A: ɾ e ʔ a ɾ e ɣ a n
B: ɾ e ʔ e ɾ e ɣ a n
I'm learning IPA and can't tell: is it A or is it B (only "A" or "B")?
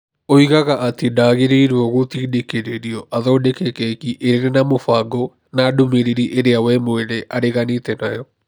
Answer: A